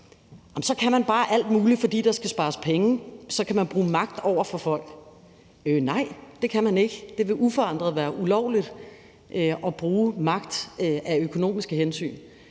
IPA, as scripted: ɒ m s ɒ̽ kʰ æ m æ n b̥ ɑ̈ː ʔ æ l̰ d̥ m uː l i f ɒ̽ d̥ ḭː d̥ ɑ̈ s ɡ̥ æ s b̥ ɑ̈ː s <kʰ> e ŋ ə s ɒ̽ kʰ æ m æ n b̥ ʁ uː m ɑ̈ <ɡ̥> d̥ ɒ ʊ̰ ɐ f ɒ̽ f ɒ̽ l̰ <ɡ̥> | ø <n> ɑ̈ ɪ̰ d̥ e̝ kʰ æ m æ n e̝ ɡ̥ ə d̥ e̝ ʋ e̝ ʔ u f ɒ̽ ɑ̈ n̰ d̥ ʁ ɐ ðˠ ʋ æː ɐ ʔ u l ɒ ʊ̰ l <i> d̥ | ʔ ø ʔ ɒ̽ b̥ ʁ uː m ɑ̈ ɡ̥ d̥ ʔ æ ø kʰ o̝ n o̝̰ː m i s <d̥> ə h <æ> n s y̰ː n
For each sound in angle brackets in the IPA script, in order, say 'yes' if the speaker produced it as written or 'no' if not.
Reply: no, yes, yes, yes, yes, no, no

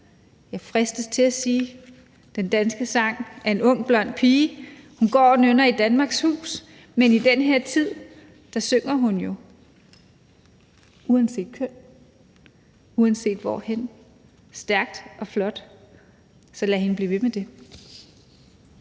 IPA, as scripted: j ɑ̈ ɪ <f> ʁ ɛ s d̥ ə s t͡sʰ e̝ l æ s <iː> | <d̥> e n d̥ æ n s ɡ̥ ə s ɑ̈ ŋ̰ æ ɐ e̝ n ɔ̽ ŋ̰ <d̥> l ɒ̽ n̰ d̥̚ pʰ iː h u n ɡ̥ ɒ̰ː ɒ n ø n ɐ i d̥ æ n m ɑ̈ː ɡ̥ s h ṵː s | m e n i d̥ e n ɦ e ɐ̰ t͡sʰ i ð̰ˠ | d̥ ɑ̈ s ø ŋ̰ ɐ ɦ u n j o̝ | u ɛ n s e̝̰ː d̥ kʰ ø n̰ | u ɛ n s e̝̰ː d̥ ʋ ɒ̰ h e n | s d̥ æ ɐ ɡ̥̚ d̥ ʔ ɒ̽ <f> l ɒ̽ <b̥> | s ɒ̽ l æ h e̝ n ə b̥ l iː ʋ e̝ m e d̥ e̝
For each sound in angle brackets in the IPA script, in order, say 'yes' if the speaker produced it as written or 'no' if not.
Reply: yes, yes, yes, no, yes, no

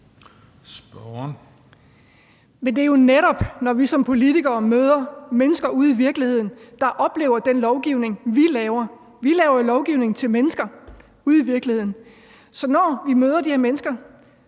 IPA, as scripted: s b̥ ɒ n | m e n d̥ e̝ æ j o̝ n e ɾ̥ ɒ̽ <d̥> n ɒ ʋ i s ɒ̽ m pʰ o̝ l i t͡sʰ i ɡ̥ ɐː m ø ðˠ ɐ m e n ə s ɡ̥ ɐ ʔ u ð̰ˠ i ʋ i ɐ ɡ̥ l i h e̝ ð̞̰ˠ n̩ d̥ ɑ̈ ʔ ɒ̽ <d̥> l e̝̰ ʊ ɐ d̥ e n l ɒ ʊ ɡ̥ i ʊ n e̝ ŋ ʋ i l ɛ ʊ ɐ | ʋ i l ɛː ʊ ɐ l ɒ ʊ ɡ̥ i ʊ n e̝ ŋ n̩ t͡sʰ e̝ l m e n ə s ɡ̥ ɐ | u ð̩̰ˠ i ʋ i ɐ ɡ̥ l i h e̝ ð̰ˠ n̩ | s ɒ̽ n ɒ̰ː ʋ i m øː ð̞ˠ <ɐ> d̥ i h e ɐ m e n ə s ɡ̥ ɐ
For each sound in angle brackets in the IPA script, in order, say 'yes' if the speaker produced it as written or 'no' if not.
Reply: no, no, yes

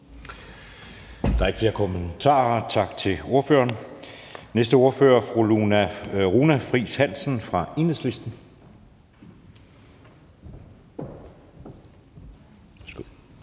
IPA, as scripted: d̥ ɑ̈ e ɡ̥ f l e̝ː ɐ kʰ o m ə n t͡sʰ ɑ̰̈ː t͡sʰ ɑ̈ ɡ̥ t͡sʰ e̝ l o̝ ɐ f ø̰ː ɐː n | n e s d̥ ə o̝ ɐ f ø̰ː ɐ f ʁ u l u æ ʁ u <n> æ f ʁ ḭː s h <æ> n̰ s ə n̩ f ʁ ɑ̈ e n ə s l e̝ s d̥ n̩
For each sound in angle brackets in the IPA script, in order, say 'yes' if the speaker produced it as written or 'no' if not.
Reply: yes, yes

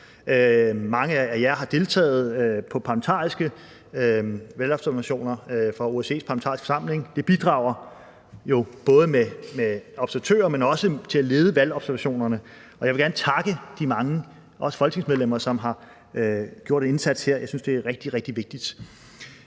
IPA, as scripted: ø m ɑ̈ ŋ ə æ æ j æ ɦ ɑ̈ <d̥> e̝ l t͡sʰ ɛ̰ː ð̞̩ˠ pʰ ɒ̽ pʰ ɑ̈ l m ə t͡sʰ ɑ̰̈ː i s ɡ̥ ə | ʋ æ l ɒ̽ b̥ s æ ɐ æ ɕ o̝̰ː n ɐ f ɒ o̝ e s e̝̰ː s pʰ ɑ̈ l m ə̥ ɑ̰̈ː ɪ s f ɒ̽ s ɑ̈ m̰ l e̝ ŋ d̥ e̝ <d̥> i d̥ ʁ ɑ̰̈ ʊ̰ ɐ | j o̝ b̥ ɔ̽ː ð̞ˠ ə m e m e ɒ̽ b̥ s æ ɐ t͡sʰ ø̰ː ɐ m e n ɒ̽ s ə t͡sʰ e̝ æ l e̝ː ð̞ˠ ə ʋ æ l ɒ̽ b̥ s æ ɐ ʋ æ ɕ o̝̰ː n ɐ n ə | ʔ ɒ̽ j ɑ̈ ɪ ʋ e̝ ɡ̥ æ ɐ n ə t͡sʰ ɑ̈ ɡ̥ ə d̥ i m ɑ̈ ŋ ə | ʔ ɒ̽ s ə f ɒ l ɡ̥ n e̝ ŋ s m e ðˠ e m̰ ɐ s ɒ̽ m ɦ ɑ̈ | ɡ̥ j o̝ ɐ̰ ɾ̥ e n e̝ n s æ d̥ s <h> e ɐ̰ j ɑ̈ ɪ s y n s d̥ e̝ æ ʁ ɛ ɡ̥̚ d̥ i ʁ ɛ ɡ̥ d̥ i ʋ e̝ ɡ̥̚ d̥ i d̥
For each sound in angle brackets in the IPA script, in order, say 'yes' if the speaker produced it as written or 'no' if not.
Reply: yes, no, yes

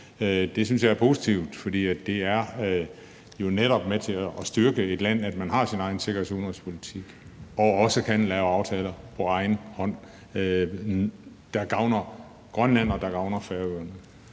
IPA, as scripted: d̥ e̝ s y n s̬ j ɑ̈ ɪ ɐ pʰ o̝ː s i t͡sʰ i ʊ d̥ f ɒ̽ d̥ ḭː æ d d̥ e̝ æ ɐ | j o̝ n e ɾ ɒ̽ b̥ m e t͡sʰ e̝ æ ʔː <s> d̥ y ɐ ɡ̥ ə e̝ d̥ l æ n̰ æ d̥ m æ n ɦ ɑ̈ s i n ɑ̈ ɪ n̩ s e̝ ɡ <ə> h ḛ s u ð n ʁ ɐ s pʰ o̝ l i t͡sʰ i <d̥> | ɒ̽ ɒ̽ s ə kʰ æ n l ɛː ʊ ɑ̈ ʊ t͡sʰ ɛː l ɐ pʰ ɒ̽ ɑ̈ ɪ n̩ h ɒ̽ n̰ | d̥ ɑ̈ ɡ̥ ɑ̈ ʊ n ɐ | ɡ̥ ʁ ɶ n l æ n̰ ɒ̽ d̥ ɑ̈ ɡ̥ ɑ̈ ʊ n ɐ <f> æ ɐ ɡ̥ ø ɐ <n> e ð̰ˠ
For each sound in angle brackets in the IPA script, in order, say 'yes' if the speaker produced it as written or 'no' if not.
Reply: yes, no, no, yes, yes

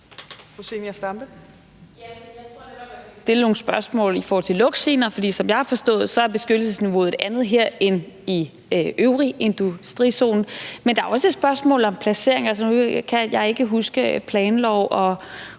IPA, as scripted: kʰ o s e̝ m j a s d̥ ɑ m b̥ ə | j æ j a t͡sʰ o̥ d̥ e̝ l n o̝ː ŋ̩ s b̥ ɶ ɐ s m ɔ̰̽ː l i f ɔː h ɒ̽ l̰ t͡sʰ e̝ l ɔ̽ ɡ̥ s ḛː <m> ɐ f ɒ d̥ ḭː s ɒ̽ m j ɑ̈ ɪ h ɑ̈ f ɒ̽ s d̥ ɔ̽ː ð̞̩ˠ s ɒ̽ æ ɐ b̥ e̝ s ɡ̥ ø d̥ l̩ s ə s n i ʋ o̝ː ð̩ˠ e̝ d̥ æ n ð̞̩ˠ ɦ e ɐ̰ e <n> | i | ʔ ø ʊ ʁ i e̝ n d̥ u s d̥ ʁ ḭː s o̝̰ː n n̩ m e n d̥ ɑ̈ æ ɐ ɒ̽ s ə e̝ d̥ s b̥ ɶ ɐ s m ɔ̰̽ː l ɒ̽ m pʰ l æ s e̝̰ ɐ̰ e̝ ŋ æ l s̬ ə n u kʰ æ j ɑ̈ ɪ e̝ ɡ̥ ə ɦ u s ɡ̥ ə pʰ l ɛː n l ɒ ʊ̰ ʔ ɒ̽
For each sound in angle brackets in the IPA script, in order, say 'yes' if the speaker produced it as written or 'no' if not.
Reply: no, yes

